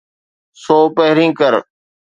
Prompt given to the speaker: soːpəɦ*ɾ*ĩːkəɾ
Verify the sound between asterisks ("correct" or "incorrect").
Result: correct